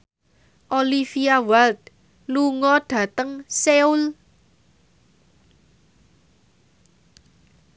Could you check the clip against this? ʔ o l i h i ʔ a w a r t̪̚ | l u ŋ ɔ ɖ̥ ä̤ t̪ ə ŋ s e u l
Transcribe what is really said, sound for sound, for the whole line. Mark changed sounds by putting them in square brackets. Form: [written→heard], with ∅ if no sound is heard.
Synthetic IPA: ʔ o l i [h→f] i [ʔ→∅] a w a [r→l] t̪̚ | l u ŋ ɔ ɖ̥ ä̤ t̪ ə ŋ s e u l